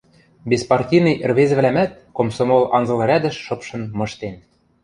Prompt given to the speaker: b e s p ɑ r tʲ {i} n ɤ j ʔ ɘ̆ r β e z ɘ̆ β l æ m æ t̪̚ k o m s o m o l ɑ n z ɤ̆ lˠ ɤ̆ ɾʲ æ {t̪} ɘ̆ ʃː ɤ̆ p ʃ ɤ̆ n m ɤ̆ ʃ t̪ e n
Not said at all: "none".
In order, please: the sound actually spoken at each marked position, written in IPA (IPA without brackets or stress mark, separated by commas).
i, d̪